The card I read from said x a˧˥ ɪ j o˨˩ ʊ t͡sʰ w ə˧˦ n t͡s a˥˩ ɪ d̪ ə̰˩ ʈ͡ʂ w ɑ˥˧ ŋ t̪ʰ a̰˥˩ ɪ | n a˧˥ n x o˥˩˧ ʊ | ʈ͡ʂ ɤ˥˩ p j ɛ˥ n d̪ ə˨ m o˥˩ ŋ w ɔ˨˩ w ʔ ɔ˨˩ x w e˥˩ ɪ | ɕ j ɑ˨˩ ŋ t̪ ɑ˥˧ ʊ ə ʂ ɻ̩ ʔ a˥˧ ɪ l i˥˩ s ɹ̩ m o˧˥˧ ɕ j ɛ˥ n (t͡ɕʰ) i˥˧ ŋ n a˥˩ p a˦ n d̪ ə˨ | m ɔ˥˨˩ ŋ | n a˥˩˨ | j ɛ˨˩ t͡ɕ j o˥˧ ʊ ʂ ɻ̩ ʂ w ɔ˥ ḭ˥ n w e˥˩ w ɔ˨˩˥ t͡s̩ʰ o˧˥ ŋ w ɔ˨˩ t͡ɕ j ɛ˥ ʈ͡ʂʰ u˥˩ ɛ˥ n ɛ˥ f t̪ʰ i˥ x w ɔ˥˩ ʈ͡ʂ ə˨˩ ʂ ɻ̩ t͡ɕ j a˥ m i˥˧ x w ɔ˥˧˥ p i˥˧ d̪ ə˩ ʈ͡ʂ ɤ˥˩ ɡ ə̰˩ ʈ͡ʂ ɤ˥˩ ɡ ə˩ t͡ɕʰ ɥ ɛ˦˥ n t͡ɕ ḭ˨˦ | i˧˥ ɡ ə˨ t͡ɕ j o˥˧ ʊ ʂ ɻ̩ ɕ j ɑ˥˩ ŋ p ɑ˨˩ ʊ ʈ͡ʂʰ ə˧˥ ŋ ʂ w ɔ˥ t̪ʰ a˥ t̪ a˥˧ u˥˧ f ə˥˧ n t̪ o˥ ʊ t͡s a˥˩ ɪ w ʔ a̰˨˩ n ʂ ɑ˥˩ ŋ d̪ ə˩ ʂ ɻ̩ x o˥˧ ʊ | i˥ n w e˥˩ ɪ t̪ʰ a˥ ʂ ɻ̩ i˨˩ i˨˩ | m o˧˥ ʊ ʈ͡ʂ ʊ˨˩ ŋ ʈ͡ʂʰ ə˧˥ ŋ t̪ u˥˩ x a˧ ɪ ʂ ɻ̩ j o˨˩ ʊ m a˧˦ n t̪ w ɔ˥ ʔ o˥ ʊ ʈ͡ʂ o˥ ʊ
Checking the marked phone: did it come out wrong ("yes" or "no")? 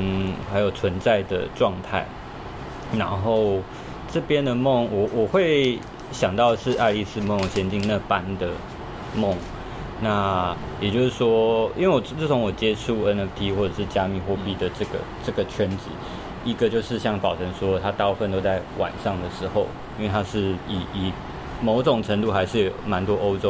yes